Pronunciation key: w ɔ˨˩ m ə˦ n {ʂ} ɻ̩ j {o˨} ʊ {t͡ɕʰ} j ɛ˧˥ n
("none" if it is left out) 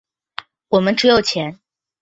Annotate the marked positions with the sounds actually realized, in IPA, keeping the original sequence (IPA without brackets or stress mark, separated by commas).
ʈ͡ʂ, o˨, t͡ɕʰ